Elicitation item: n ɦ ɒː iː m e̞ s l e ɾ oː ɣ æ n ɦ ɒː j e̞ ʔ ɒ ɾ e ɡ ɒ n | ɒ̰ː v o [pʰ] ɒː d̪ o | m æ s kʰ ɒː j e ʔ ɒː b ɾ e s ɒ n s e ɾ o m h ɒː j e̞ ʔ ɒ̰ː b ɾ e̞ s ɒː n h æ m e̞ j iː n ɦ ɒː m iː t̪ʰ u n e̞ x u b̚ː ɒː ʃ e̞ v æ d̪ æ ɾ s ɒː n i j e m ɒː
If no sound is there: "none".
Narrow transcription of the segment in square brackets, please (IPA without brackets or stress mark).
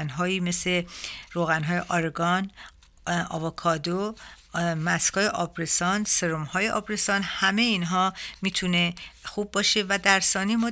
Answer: kʰ